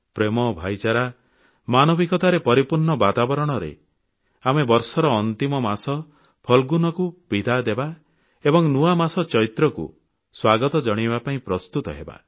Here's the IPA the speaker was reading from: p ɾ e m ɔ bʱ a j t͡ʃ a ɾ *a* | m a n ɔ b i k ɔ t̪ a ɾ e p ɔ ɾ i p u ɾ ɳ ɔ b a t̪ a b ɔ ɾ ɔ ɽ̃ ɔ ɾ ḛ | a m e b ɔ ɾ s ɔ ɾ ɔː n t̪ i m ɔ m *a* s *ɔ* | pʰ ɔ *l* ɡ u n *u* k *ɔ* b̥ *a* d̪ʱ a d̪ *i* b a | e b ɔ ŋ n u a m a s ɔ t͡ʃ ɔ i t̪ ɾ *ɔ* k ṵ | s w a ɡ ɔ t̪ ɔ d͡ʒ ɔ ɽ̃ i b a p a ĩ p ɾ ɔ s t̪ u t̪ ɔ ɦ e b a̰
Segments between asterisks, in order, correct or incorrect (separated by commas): correct, correct, correct, correct, incorrect, incorrect, incorrect, incorrect, correct